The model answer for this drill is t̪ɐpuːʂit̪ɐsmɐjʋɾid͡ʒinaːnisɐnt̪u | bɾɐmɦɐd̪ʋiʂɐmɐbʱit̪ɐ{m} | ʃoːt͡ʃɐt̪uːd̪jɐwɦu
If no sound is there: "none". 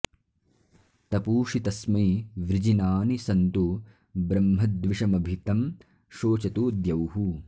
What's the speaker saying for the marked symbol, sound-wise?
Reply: m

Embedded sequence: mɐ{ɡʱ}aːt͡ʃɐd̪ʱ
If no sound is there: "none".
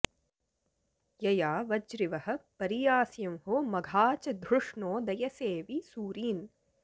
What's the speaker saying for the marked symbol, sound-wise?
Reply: ɡʱ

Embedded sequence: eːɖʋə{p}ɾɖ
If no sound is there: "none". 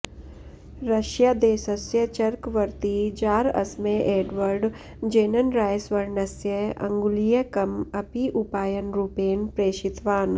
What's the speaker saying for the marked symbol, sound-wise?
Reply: none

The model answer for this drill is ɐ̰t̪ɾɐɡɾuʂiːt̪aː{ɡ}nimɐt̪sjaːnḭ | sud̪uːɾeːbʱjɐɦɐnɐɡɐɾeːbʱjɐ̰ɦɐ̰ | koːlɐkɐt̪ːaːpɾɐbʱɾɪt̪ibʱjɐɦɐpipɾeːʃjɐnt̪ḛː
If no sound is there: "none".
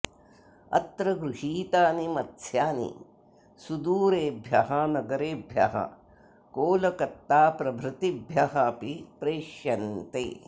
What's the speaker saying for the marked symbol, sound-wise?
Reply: none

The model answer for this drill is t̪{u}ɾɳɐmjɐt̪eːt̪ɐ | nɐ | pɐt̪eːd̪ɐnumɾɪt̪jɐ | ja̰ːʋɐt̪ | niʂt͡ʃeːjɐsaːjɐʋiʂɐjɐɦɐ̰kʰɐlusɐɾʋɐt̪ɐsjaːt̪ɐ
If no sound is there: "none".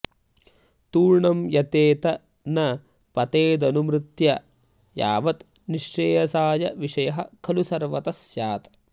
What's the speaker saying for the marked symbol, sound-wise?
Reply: uː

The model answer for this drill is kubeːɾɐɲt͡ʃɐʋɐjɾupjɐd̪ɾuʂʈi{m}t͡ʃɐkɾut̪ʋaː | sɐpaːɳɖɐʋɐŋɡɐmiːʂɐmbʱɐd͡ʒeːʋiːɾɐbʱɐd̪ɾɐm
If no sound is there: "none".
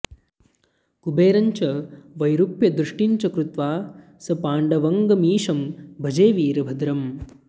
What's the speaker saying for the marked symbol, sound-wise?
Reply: ɲ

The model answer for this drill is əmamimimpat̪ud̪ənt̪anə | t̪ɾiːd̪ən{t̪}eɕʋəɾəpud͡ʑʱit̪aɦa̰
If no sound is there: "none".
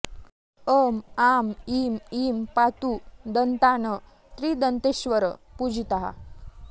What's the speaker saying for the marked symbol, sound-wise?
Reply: t̪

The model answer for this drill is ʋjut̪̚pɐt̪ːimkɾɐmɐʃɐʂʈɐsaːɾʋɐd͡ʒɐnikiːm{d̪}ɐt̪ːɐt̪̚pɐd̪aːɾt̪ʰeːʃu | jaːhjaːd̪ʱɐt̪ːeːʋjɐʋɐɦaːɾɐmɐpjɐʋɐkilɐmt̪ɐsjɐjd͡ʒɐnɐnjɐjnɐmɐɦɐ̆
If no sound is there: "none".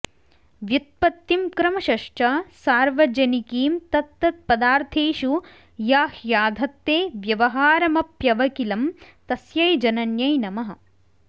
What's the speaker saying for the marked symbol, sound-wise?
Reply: t̪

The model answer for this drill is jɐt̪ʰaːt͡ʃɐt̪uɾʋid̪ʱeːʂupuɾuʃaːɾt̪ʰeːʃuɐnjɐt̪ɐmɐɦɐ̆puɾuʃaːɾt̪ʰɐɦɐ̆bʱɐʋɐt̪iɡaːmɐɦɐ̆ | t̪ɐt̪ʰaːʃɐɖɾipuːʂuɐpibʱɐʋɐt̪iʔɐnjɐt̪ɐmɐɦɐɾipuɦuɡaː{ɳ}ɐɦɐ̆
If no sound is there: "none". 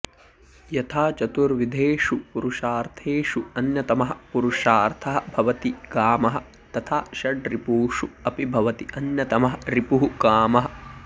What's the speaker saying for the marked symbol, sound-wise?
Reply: m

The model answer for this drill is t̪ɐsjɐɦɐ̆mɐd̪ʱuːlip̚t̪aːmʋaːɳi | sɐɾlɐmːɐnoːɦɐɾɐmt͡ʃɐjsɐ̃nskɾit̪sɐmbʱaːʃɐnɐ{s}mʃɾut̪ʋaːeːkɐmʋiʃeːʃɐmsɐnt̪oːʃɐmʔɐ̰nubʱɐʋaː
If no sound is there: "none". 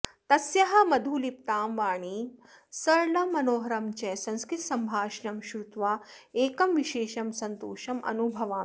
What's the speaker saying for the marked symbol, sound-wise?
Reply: none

